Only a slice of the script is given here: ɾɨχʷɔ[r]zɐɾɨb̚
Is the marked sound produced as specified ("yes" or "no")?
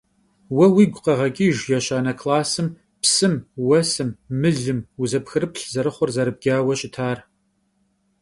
yes